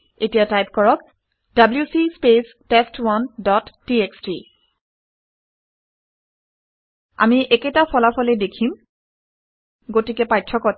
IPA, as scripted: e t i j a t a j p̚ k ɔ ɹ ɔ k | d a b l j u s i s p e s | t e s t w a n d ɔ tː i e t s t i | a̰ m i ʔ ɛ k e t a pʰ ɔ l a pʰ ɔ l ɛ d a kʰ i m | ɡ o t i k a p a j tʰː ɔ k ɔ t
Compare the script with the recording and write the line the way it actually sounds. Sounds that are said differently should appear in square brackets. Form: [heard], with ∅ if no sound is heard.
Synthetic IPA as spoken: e t i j a t a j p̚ k ɔ ɹ ɔ k | d a b l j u s i s p e s | t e s t w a n d ɔ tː i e [k] s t i | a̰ m i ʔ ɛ k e t a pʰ ɔ l a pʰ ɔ l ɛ d [e] kʰ i m | ɡ o t i k [ɛ] p a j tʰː ɔ k ɔ t